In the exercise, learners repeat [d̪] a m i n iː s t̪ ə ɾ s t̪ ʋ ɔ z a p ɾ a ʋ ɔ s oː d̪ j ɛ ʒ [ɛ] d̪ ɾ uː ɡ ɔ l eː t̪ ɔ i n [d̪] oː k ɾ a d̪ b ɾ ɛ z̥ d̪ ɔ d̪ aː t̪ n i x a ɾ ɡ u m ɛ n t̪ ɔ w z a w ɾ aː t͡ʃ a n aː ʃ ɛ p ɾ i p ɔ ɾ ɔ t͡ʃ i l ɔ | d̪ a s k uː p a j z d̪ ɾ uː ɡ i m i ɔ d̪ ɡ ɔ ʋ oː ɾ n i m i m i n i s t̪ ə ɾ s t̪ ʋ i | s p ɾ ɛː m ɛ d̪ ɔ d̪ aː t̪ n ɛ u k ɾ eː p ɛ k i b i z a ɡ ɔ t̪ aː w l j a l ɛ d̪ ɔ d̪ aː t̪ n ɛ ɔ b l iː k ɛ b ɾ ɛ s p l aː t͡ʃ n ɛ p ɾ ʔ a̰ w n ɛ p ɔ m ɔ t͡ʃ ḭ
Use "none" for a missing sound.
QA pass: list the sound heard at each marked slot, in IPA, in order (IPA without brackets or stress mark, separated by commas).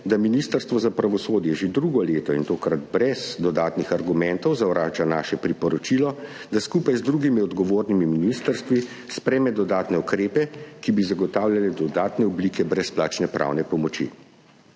d̪, e, t̪